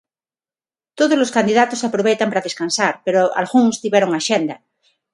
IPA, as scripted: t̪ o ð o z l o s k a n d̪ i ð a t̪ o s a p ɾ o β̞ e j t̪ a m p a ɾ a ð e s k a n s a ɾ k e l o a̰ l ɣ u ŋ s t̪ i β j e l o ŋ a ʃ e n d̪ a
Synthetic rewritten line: t̪ o ð o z l o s k a n d̪ i ð a t̪ o s a p ɾ o β̞ e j t̪ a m p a ɾ a ð e s k a n s a ɾ p e ɾ o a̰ l ɣ u ŋ s t̪ i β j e ɾ o ŋ a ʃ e n d̪ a

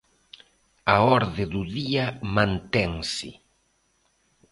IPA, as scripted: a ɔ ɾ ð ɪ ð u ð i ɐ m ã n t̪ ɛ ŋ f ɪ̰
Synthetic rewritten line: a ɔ ɾ ð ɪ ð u ð i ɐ m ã n t̪ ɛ ŋ s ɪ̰

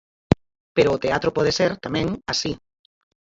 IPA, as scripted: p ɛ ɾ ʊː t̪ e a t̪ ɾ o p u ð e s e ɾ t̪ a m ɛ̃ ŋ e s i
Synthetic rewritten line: p e ɾ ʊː t̪ e a t̪ ɾ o p ɔ ð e s e ɾ t̪ a m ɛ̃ ŋ a s i

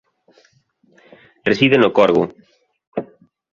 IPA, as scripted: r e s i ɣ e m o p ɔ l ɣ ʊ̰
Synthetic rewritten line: r e s i ð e n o k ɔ ɾ ɣ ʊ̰

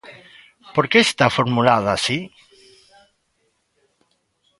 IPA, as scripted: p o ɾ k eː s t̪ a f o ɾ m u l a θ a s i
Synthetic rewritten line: p o ɾ k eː s t̪ a f o ɾ m u l a ð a s i

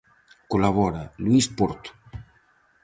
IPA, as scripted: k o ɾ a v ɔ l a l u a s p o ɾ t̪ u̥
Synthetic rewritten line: k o l a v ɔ ɾ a l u i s p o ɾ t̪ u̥

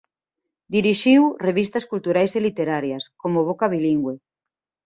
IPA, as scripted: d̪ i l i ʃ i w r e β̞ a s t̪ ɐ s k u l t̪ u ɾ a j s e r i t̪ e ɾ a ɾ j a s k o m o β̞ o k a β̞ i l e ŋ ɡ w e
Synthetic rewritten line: d̪ i ɾ i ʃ i w r e β̞ i s t̪ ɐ s k u l t̪ u ɾ a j s e l i t̪ e ɾ a ɾ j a s k o m o β̞ o k a β̞ i l i ŋ ɡ w e

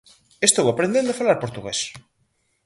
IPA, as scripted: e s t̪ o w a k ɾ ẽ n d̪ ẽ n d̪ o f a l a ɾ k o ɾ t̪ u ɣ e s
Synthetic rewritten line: e s t̪ o w a p ɾ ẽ n d̪ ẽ n d̪ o f a l a ɾ p o ɾ t̪ u ɣ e s

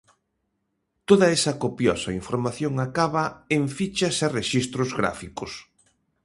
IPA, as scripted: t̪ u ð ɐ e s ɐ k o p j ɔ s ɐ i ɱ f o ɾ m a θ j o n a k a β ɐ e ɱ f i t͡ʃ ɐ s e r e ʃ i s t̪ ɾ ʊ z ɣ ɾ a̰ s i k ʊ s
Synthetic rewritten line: t̪ o ð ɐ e s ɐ k o p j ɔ s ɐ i ɱ f o ɾ m a θ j o ŋ a k a β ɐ e ɱ f i t͡ʃ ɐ s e r e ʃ i s t̪ ɾ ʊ z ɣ ɾ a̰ f i k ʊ s

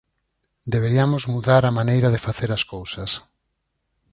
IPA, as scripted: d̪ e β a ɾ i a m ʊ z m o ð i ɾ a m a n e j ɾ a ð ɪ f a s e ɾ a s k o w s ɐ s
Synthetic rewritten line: d̪ e β e ɾ i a m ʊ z m u ð a ɾ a m a n e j ɾ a ð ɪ f a θ e ɾ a s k o w s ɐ s

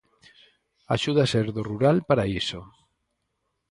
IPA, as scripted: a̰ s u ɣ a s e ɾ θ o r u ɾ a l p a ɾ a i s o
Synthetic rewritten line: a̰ ʃ u ð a s e ɾ ð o r u ɾ a l p a ɾ a i s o

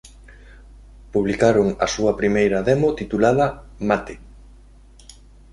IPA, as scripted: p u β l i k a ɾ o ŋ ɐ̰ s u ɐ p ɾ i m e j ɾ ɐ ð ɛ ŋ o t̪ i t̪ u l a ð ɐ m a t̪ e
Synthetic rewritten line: p u β l i k a ɾ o ŋ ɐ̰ s u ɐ p ɾ i m e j ɾ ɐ ð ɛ m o t̪ i t̪ u l a ð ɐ m a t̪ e

